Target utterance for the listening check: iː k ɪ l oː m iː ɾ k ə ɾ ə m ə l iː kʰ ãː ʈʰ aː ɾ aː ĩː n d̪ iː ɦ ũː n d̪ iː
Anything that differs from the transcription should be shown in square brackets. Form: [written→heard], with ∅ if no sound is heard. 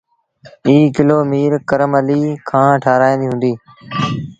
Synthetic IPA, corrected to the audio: iː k ɪ l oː m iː ɾ k ə ɾ ə m ə l iː kʰ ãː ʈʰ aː ɾ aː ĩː n d̪ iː ɦ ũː n d̪ iː